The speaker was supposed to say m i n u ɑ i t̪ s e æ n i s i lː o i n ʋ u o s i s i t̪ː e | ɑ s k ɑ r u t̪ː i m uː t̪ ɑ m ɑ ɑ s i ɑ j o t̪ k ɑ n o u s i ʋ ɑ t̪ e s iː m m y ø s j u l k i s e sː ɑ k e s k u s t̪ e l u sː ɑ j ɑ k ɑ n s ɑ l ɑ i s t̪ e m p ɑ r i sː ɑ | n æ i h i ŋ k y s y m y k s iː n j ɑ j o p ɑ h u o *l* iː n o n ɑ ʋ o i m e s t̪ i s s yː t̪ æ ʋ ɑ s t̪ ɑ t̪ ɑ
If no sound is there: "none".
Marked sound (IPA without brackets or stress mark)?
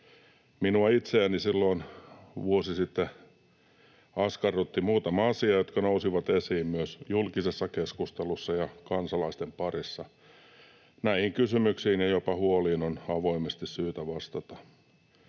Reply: l